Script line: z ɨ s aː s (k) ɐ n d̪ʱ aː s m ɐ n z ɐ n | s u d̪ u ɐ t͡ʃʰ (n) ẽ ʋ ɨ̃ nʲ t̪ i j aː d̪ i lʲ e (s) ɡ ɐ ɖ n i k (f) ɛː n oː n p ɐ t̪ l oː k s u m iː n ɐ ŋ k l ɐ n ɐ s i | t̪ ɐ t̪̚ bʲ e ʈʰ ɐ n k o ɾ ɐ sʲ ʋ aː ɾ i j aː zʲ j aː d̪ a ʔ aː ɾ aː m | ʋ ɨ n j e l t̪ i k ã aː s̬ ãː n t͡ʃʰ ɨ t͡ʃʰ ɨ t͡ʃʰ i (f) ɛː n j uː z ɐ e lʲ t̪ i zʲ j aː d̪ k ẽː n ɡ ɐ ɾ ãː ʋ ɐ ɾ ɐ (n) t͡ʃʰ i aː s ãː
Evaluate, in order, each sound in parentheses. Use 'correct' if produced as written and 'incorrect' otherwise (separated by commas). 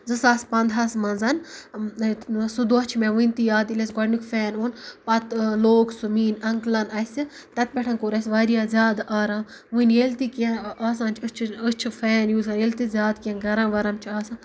incorrect, incorrect, correct, correct, correct, incorrect